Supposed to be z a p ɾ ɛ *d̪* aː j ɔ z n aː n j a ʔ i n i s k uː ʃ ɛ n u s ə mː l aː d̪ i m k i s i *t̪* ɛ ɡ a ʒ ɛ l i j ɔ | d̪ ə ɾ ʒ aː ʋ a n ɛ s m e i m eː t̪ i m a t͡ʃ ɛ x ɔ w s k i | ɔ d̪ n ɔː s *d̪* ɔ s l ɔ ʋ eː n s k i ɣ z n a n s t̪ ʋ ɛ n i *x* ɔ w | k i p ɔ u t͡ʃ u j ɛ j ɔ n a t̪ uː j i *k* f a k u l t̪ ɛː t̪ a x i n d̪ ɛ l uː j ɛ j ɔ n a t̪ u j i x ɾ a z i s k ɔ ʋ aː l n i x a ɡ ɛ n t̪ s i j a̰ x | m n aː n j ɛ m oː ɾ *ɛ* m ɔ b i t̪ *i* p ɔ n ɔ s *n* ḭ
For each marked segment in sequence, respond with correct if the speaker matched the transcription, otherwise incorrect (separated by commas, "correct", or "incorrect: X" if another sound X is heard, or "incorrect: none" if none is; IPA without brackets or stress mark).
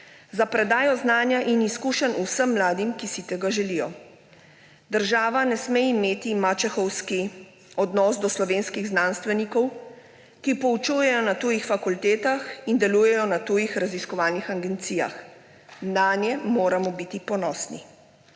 correct, correct, correct, incorrect: k, incorrect: x, incorrect: a, correct, correct